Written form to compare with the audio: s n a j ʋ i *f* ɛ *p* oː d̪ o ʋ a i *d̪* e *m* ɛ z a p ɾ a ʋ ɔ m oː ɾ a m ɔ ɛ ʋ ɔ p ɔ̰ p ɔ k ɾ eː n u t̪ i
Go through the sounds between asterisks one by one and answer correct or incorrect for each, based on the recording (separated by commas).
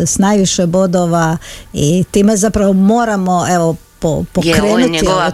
incorrect, incorrect, incorrect, correct